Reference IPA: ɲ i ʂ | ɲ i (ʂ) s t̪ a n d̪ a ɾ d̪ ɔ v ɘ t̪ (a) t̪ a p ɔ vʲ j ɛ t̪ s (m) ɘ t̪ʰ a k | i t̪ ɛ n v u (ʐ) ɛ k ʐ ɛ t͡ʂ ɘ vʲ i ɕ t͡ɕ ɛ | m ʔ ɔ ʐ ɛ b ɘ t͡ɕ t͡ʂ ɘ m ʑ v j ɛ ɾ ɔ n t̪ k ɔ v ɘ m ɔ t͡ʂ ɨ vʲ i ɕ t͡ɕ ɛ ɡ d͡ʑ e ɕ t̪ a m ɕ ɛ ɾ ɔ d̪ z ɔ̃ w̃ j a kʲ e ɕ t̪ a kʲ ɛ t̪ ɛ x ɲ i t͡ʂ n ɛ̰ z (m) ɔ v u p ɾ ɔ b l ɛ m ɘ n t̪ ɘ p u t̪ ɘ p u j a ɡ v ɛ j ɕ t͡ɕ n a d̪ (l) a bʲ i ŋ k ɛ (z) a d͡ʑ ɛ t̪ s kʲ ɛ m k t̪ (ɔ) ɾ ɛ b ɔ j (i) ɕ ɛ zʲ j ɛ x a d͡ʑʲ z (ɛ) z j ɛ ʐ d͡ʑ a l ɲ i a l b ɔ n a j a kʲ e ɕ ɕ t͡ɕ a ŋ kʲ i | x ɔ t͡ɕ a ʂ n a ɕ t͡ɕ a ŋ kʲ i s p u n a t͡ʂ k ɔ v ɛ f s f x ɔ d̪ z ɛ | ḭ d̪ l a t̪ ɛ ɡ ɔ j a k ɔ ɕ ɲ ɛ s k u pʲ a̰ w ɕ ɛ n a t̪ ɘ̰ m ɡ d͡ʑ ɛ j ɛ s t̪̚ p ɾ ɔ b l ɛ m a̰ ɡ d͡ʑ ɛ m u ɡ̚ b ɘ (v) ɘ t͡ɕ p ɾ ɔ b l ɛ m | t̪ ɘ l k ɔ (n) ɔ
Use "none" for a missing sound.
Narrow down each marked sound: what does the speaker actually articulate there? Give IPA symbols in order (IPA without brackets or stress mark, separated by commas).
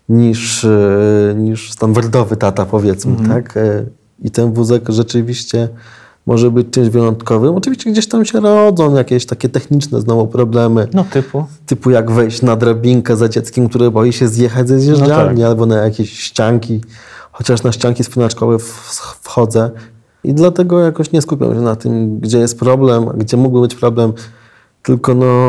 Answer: ʂ, a, m, z, n, ɾ, z, u, i, ɛ, b, n